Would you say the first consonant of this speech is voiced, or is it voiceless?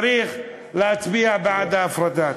voiced